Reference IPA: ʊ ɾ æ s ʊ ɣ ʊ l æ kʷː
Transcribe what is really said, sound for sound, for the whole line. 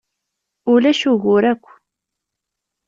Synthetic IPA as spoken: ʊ l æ ʃ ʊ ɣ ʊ ɾ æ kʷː